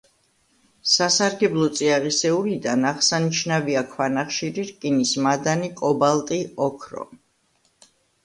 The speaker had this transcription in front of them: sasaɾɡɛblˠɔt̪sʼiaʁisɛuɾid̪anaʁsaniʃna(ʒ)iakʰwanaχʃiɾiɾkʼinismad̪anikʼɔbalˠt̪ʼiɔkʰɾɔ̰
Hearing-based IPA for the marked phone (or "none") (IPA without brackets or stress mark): v